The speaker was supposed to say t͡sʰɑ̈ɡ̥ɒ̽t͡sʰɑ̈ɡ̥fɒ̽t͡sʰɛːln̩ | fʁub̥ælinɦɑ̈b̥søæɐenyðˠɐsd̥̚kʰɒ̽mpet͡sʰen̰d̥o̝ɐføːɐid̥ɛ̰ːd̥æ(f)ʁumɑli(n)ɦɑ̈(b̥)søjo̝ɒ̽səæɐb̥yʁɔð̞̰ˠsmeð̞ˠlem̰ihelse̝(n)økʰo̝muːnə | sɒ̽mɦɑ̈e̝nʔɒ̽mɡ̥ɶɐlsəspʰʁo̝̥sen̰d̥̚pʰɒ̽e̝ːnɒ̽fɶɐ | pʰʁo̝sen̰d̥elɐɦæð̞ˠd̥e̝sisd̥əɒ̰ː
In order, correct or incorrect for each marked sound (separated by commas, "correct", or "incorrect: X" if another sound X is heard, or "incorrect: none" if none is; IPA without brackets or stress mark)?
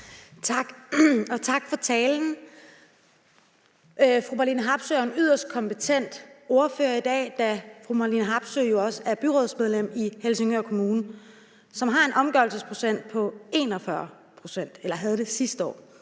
correct, correct, correct, incorrect: ŋ